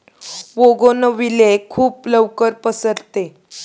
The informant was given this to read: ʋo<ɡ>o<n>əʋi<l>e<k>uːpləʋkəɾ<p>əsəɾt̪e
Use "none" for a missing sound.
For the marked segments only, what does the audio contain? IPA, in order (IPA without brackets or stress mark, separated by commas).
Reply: ɡ, n, l, kʰ, p